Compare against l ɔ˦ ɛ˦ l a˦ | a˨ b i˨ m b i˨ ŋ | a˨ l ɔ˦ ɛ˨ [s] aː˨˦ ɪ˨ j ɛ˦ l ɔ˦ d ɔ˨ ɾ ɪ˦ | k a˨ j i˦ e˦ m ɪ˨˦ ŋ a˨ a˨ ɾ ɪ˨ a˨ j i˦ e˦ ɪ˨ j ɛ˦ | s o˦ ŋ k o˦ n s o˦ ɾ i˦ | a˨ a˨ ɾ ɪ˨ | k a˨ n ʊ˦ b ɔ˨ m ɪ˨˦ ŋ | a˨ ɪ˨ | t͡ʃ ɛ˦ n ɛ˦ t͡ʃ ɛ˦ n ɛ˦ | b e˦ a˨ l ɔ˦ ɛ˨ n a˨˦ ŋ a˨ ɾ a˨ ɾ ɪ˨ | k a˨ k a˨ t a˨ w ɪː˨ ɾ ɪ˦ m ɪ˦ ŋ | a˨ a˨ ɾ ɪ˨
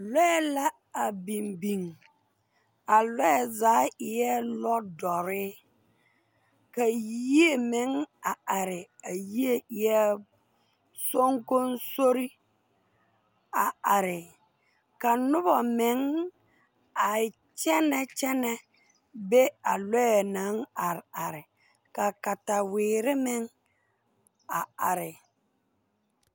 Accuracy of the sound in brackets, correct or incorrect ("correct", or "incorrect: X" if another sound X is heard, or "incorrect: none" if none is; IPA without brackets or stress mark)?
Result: incorrect: z